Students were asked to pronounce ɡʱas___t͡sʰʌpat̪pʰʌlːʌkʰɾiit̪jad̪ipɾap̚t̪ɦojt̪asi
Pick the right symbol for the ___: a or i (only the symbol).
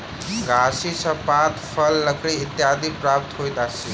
i